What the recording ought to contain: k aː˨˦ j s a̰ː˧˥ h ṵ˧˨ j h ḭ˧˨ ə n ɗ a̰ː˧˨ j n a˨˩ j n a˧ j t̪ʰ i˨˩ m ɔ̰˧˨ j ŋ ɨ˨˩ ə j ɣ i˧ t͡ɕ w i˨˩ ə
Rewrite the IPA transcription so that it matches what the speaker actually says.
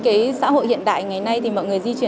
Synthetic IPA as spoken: k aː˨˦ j s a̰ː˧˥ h o̰˧˨ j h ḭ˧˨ ə n ɗ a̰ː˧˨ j ŋ a˨˩ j n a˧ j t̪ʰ i˨˩ m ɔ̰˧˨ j ŋ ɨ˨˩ ə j z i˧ t͡ɕ w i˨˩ ə